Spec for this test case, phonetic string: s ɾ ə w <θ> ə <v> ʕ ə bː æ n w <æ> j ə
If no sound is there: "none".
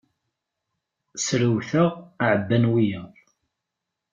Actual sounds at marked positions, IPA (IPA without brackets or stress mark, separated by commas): θ, ʁ, i